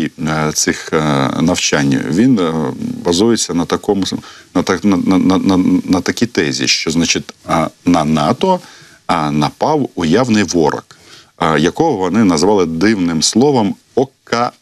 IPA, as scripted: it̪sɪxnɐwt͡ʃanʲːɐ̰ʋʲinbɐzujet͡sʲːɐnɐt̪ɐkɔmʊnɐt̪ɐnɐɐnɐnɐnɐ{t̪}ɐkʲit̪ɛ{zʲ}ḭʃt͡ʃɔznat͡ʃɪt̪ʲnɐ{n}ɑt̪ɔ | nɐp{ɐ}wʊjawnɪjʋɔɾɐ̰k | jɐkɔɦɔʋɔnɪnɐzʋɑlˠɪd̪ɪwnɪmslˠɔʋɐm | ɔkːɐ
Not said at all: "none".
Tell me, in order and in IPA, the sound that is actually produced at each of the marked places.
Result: t̪, zʲ, n, ɑ

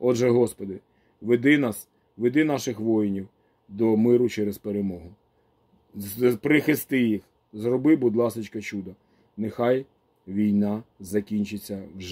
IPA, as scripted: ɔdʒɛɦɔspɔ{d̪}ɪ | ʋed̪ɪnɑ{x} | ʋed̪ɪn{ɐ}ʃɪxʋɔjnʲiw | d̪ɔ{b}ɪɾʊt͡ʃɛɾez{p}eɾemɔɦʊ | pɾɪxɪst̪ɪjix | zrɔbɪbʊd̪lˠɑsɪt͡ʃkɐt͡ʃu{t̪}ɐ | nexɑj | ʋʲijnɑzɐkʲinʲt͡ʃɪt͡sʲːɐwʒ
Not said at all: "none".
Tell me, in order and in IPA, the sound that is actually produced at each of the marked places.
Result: d̪, s, ɑ, m, p, d̪

